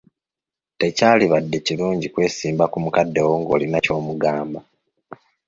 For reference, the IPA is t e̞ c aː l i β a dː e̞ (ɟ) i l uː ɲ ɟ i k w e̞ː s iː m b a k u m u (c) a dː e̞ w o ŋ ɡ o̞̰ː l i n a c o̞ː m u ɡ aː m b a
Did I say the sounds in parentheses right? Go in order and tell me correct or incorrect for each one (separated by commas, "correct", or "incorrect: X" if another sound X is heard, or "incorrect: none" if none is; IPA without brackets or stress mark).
incorrect: c, incorrect: k